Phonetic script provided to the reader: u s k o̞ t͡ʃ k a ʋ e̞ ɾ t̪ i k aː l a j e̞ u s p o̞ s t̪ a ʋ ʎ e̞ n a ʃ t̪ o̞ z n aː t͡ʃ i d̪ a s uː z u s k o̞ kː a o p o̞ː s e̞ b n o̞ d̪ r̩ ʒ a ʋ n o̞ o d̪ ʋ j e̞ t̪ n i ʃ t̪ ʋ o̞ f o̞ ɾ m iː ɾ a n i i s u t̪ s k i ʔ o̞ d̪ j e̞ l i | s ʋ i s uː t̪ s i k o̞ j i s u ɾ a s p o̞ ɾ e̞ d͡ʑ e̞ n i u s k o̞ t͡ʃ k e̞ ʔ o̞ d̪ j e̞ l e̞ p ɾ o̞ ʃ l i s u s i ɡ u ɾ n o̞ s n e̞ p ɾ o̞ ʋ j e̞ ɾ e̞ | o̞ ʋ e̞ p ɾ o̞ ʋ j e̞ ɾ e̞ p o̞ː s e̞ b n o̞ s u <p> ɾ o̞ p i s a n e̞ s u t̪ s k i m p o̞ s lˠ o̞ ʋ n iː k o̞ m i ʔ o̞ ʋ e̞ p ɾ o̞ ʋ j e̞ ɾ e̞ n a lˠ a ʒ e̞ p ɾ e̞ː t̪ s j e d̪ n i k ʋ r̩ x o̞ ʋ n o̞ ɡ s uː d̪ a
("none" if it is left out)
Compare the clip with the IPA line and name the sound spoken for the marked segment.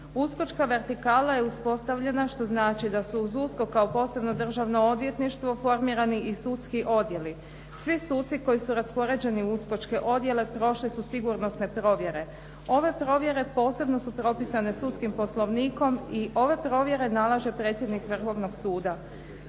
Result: p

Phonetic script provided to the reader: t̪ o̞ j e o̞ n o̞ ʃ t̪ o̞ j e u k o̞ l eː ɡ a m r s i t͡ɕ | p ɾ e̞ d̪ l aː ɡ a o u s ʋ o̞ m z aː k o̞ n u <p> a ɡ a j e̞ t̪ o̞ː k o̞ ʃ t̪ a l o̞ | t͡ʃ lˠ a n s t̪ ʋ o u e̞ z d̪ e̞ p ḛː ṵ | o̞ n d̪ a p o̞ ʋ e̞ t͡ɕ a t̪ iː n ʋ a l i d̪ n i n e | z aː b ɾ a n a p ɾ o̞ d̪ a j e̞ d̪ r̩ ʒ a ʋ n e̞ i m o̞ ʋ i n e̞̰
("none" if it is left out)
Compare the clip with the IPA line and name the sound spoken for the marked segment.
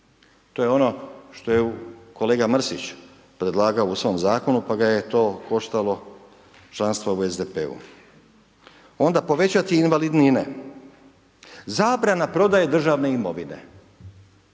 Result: p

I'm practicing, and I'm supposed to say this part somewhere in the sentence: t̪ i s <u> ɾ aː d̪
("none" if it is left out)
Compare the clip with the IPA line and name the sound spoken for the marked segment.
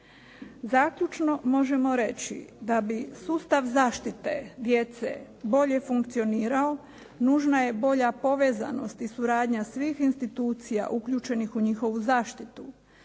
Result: u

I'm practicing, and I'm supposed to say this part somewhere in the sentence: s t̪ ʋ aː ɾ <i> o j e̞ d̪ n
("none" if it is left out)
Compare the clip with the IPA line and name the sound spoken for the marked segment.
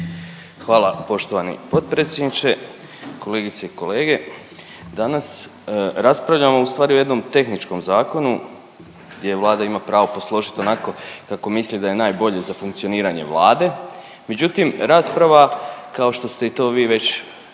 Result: i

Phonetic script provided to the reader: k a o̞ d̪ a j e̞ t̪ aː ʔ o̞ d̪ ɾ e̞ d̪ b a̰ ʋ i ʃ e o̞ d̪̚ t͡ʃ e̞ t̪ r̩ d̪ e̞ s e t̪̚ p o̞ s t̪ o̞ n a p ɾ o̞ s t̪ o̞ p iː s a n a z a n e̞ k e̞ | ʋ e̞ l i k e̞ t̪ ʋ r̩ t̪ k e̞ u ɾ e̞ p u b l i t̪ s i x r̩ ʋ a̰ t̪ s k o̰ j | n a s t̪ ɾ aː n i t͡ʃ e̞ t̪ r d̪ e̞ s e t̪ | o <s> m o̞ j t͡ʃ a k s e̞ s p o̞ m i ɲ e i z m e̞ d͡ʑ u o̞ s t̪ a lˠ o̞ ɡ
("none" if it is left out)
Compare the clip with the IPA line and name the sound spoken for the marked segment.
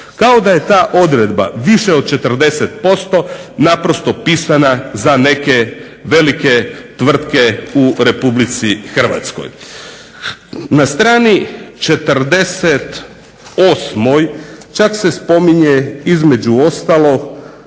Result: s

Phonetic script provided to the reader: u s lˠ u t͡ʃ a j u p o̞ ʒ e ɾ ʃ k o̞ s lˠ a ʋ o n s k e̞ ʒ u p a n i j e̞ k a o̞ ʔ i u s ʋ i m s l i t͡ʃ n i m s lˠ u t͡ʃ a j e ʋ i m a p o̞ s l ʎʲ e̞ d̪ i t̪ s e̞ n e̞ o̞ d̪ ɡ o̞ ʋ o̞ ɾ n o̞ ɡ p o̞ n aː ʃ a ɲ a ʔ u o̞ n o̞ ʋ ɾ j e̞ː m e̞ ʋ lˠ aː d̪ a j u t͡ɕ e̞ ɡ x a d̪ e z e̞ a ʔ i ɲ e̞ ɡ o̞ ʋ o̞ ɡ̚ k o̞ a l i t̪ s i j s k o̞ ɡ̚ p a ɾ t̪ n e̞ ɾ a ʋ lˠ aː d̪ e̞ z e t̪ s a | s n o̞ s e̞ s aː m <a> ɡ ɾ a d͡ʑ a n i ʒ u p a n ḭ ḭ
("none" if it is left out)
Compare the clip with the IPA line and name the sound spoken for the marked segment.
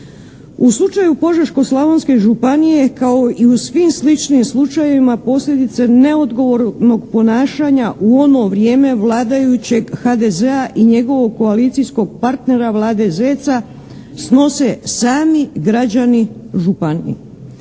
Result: i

